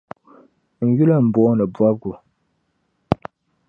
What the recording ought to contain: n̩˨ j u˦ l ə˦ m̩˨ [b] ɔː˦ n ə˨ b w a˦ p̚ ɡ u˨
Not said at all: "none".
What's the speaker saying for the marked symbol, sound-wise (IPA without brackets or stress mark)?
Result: b